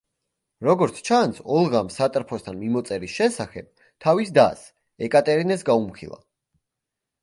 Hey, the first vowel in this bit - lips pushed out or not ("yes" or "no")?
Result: yes